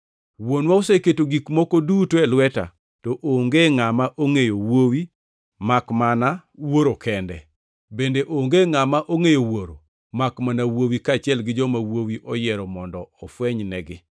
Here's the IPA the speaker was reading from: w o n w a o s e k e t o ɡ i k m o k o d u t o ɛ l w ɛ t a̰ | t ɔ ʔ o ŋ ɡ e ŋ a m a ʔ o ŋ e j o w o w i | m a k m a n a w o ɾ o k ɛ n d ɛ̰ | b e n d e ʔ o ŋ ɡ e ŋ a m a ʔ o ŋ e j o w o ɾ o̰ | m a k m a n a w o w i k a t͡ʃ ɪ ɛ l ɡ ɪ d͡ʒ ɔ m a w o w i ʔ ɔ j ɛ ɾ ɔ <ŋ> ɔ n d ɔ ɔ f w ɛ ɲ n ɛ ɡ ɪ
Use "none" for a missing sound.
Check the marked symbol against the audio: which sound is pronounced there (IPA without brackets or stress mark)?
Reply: m